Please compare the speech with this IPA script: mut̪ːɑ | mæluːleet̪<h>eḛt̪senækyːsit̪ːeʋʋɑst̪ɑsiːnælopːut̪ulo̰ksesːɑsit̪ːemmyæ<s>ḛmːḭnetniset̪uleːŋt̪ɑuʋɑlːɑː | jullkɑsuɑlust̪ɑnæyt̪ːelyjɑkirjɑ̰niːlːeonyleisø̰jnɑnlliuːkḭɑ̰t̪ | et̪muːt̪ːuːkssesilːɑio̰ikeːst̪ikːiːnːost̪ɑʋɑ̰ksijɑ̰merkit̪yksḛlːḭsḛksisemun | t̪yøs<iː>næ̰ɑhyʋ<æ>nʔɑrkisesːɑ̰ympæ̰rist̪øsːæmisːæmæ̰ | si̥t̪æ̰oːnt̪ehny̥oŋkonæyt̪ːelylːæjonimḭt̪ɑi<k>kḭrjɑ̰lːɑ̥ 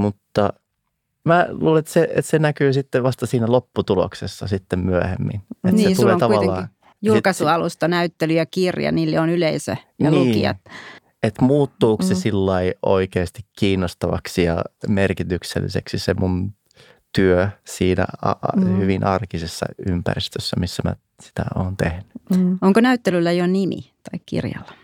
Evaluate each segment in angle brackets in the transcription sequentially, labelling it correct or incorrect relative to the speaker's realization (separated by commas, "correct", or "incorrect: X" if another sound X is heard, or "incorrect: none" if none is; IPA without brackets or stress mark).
incorrect: s, incorrect: h, correct, incorrect: i, correct